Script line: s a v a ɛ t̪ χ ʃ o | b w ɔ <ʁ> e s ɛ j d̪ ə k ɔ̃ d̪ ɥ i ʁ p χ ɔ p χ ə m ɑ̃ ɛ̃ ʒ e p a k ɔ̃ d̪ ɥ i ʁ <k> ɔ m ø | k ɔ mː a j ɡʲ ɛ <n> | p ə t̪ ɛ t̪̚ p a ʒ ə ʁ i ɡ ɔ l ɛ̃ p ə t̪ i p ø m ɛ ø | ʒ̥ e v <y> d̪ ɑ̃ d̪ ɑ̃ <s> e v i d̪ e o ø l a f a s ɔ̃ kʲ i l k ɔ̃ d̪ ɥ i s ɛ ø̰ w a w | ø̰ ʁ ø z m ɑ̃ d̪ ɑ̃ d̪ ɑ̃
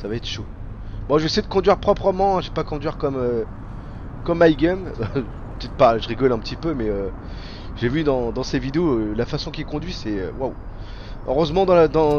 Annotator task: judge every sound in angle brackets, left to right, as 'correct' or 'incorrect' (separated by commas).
incorrect, correct, incorrect, correct, correct